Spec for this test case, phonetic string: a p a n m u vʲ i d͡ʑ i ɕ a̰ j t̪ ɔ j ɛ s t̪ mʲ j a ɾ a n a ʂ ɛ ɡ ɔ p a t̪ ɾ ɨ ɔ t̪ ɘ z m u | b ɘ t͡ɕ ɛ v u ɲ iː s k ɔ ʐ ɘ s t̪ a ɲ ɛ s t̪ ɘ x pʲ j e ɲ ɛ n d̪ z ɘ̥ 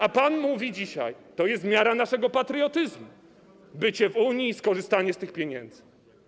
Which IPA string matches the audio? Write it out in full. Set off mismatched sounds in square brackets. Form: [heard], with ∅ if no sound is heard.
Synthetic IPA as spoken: a p a n m u vʲ i d͡ʑ i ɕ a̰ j t̪ ɔ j ɛ s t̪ mʲ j a ɾ a n a ʂ ɛ ɡ ɔ p a t̪ ɾ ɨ ɔ t̪ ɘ z m u | b ɘ t͡ɕ ɛ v u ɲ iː s k ɔ ʐ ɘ s t̪ a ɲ ɛ s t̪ ɘ x pʲ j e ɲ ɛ n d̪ z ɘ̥